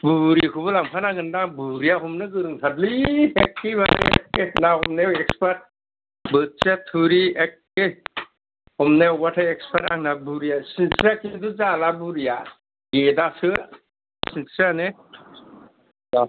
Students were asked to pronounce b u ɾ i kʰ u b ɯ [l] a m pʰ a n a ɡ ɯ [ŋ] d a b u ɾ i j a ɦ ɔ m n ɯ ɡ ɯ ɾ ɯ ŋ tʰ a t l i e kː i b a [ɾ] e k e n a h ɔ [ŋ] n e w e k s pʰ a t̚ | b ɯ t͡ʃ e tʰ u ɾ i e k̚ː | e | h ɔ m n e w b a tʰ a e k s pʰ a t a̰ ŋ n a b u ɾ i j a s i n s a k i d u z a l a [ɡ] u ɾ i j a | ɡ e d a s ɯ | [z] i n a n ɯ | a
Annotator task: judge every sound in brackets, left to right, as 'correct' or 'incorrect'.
correct, incorrect, correct, incorrect, incorrect, incorrect

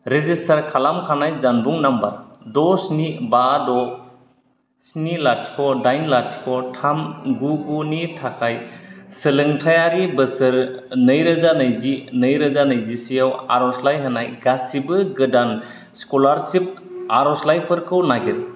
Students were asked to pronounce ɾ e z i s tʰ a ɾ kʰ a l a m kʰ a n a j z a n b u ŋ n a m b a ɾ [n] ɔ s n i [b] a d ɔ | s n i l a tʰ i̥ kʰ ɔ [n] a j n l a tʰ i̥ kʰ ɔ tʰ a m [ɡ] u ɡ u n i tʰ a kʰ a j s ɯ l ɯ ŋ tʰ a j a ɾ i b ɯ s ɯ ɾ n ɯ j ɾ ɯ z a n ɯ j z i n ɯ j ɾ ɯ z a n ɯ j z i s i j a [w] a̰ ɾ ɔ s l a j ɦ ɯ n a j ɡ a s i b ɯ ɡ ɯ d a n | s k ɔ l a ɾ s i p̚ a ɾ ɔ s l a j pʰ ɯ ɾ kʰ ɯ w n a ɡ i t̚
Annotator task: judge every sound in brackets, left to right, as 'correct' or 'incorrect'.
incorrect, correct, incorrect, correct, correct

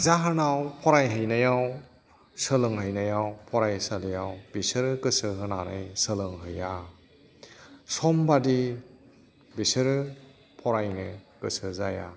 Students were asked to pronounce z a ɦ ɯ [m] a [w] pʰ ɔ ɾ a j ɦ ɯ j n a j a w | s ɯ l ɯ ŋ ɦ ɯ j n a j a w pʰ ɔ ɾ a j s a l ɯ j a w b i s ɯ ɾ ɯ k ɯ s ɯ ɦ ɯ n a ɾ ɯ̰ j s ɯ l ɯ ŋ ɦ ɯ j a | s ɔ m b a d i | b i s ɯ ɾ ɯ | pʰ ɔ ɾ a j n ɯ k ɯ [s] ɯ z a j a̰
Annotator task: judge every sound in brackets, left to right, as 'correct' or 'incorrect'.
incorrect, correct, correct

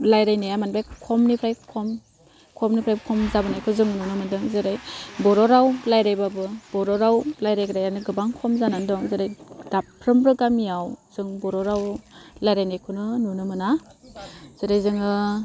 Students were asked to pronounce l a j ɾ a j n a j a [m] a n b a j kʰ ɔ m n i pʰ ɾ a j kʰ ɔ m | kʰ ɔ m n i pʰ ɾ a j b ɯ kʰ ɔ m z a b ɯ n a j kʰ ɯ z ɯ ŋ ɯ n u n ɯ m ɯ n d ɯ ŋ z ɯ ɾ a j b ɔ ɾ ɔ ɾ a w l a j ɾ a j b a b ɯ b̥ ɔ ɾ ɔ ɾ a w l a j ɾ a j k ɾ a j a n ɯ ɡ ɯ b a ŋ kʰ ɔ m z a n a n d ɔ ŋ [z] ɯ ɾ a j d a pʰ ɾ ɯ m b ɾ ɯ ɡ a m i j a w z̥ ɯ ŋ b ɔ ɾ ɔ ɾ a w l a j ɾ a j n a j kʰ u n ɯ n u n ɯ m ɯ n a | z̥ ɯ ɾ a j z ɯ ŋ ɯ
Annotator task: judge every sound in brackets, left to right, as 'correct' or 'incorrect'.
correct, correct

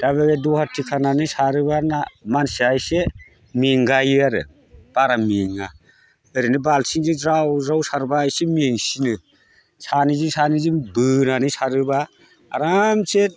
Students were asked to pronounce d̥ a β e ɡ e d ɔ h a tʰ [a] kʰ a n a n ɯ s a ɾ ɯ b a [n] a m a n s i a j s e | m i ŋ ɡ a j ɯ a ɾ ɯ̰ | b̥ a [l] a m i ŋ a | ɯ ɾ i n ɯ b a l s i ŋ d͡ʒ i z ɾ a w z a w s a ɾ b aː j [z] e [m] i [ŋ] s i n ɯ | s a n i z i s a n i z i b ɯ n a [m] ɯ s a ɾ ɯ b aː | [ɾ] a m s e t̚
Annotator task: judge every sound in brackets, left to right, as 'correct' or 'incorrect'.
incorrect, correct, incorrect, incorrect, correct, correct, incorrect, correct

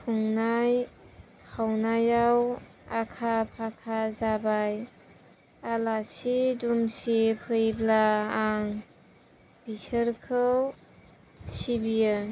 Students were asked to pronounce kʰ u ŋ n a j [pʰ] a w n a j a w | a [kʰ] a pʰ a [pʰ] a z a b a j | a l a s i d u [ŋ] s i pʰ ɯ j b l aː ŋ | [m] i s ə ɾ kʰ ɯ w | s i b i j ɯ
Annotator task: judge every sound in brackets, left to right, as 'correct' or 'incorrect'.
incorrect, correct, incorrect, incorrect, incorrect

